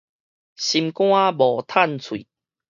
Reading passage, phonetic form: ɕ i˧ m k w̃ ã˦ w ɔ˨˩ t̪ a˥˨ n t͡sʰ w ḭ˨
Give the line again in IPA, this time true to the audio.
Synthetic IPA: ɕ i˧ m k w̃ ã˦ b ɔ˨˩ t̪ʰ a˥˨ n t͡sʰ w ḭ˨